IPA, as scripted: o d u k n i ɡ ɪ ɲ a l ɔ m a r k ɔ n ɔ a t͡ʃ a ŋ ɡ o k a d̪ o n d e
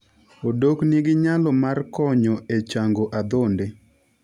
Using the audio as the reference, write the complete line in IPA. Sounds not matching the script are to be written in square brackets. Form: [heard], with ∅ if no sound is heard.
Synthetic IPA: o d [o] k n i ɡ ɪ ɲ a l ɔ m a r k ɔ [ɲ] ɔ [e] t͡ʃ a ŋ ɡ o [ʔ] a d̪ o n d e